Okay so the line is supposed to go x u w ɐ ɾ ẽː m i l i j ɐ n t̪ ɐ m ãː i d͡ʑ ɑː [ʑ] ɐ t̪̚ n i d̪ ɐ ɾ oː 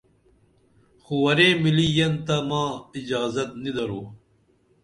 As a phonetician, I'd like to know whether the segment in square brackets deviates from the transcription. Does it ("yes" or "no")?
yes